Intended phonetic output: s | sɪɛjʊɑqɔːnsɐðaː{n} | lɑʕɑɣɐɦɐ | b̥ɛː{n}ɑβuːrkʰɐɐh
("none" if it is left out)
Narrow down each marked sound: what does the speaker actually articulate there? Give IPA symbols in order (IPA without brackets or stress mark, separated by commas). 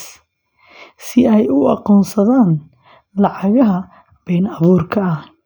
n, n